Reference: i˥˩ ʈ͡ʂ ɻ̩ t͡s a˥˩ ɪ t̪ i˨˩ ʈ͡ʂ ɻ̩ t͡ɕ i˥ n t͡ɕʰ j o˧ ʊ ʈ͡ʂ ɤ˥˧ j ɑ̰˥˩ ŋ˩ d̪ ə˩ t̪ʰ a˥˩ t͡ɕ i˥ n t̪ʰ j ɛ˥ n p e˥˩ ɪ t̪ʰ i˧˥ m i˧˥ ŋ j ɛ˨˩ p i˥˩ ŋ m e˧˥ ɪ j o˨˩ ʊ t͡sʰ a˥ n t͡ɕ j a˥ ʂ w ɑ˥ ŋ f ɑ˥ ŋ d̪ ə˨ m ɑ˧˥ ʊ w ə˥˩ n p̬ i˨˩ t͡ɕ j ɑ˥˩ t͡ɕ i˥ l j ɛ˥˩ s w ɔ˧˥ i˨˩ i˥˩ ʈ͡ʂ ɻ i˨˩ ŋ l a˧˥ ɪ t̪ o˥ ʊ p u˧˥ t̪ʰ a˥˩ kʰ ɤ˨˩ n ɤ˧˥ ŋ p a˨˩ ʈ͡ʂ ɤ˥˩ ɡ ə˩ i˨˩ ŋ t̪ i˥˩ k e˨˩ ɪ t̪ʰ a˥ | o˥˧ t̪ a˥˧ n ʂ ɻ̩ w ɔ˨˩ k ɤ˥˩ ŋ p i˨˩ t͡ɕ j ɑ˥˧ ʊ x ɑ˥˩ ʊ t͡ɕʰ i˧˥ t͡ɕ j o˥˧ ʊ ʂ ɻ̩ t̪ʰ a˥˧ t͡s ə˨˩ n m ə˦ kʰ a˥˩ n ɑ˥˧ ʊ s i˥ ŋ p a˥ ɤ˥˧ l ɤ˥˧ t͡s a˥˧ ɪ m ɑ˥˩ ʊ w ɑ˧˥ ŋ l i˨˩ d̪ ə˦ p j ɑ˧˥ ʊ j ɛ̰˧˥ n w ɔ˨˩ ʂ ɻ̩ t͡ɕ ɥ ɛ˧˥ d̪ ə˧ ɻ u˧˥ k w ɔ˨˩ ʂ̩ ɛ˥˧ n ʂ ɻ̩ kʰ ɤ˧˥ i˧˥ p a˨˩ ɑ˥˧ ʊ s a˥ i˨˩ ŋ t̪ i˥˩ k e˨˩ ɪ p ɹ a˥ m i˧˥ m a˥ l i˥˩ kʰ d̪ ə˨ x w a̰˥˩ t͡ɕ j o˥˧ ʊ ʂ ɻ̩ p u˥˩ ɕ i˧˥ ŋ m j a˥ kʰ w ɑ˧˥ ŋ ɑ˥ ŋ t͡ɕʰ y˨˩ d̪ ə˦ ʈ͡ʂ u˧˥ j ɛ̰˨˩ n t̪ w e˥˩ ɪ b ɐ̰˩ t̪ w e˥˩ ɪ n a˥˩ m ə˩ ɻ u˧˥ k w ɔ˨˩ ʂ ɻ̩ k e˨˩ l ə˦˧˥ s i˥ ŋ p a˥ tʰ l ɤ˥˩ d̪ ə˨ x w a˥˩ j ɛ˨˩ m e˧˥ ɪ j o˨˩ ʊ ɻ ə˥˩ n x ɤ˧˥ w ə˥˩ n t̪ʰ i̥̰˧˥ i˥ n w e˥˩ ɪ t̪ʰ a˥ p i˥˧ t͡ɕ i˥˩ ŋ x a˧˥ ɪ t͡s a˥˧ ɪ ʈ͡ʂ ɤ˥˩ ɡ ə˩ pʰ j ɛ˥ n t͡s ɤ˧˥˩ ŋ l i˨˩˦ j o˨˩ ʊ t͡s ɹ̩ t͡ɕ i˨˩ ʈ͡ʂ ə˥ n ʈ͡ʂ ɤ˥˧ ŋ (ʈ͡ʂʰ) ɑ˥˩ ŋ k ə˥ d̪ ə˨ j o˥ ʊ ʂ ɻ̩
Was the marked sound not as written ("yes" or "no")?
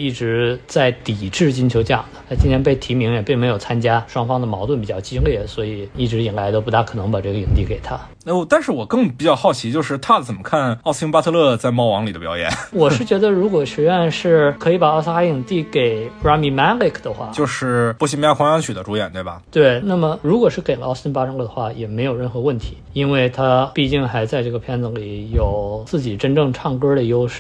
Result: no